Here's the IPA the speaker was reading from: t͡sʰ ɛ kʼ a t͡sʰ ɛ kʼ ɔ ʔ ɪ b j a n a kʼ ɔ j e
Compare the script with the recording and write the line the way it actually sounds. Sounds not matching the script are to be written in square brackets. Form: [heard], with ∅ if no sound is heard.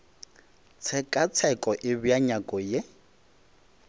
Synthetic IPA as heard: t͡sʰ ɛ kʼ a t͡sʰ ɛ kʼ ɔ ʔ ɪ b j a [ɲ] a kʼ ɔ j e